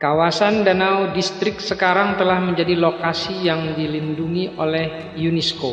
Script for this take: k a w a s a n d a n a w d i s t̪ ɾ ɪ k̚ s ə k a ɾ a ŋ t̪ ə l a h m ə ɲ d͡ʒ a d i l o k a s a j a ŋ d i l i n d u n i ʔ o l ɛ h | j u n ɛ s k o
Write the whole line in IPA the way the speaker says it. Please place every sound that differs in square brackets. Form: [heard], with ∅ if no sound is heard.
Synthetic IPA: k a w a s a n d a n a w d i s t̪ ɾ ɪ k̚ s ə k a ɾ a ŋ t̪ ə l a h m ə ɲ d͡ʒ a d i l o k a s [i] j a ŋ d i l i n d u [ŋ] i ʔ o l ɛ h | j u n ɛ s k o